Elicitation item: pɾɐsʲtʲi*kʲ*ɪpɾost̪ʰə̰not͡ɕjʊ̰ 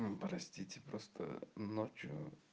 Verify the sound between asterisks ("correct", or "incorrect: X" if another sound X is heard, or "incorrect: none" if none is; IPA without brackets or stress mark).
incorrect: tʲ